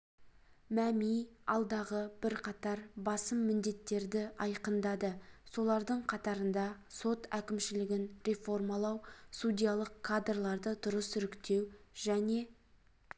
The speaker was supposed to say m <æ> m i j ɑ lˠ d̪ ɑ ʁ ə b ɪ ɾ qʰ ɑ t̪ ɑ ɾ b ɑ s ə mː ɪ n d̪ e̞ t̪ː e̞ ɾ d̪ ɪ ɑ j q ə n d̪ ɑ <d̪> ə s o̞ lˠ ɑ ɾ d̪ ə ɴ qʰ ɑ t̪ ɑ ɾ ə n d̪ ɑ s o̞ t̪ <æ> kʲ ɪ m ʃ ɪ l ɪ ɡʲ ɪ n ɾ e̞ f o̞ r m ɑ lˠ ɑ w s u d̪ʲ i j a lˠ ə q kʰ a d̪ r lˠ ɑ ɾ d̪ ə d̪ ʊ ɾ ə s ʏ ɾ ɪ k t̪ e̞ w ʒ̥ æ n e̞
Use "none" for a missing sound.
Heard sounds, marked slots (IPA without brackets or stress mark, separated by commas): æ, d̪, æ